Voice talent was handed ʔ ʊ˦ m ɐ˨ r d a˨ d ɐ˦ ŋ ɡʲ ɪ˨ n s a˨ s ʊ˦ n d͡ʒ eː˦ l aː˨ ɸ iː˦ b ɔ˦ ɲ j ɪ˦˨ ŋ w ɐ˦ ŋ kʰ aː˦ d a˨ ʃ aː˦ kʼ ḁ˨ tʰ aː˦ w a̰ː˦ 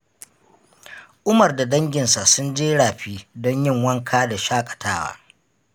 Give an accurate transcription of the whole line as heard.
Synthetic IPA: ʔ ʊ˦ m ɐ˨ r d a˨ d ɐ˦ ŋ ɡʲ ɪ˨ n s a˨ s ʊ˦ n d͡ʒ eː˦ ɽ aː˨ ɸ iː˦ d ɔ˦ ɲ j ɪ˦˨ ŋ w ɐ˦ ŋ kʰ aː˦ d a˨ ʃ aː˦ kʼ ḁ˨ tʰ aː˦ w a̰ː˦